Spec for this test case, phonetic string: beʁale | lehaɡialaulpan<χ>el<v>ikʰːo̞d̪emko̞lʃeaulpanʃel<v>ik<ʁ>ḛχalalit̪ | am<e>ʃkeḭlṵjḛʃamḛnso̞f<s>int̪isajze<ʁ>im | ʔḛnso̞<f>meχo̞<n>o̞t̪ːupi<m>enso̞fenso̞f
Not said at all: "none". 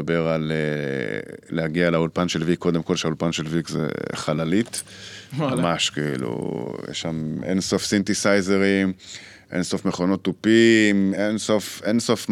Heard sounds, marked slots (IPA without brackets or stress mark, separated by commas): ʃ, v, v, z, a, s, ʁ, f, n, m